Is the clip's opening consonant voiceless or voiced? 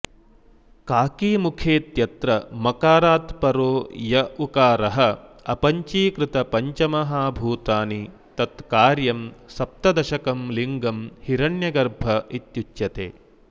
voiceless